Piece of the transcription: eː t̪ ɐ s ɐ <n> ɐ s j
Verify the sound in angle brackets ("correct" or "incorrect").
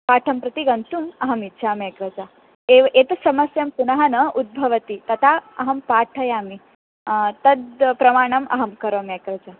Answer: incorrect